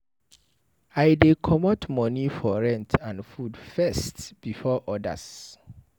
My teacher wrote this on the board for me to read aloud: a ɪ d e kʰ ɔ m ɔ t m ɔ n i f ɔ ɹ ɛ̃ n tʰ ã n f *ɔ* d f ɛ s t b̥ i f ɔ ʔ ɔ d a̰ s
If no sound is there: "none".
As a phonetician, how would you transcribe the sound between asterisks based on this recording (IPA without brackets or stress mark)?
u